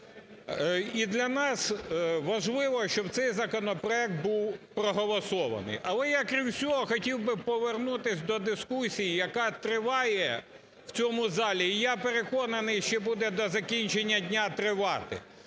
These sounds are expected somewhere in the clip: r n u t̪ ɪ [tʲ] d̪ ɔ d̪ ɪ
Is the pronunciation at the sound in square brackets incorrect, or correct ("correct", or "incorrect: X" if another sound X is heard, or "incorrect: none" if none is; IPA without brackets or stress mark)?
incorrect: sʲ